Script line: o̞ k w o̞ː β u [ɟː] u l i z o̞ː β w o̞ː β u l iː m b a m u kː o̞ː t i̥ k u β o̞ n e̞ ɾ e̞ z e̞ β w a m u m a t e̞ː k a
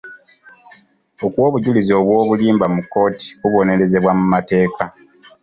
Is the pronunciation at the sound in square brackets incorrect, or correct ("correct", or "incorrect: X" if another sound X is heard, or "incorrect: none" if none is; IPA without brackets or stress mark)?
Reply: incorrect: ɟ